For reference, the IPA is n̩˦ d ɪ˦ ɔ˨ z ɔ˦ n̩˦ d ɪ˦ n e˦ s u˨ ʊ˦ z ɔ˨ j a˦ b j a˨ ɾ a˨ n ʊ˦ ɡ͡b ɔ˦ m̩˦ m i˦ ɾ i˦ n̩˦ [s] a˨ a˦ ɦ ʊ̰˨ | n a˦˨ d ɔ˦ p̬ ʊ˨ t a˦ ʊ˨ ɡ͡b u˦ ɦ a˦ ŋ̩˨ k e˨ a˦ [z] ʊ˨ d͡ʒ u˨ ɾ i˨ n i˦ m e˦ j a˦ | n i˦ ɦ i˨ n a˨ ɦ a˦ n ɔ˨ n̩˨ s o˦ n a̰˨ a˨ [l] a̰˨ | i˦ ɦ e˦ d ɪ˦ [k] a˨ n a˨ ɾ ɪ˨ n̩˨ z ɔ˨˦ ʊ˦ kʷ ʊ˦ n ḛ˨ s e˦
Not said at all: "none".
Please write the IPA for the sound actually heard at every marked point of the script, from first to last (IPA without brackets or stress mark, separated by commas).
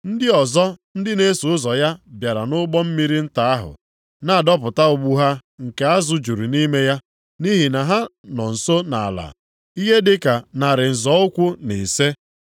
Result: t, z, l, k